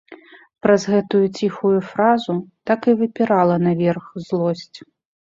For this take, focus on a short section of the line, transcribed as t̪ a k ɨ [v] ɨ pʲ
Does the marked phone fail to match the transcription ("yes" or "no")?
no